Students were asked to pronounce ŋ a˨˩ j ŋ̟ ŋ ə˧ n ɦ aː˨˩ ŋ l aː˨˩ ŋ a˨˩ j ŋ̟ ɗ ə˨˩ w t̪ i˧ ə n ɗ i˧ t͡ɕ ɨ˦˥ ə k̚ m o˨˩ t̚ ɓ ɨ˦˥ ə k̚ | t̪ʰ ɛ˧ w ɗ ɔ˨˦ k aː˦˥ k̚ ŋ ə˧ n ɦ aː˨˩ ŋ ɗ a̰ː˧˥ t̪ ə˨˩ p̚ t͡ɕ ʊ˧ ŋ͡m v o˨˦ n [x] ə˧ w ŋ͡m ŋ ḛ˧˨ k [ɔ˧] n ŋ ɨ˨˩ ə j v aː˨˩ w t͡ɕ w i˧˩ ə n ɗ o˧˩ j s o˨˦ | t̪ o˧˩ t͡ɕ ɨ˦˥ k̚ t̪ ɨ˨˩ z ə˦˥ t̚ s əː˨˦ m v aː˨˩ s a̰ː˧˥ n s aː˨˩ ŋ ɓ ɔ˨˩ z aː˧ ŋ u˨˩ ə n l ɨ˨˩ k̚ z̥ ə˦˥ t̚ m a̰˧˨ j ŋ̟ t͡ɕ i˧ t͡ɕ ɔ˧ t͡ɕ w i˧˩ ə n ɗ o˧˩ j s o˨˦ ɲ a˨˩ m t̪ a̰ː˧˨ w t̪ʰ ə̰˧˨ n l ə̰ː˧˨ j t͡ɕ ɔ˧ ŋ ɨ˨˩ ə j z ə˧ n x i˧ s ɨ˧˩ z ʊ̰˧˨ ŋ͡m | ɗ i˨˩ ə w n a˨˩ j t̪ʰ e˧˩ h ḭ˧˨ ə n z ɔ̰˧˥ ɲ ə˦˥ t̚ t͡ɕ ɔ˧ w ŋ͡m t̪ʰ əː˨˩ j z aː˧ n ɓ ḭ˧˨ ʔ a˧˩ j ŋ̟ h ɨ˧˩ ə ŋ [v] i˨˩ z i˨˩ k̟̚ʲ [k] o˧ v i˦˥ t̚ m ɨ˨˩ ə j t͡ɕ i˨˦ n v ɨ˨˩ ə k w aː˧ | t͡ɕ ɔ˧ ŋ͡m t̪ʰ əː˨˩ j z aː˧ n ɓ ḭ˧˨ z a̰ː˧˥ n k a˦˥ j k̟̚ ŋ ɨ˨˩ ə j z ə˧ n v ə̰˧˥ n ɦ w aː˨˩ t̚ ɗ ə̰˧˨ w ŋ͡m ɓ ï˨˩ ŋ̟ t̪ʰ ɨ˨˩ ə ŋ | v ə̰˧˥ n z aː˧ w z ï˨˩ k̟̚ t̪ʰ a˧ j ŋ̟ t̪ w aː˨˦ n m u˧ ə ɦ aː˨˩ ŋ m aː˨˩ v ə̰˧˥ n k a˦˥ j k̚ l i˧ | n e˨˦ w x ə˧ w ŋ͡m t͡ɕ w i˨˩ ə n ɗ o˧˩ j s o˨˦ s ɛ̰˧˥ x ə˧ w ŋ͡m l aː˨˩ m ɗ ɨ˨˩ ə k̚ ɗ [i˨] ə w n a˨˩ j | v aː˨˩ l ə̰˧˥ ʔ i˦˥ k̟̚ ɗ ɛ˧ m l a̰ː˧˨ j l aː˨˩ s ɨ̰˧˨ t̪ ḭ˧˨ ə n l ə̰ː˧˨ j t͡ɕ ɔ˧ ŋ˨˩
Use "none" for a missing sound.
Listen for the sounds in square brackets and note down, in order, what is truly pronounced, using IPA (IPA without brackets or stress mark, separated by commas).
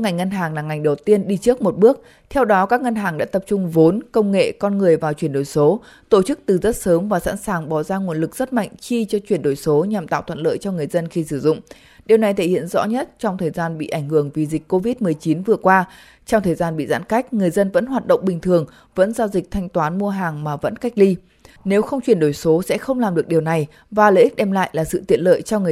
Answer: k, ɔ˧, v, k, i˨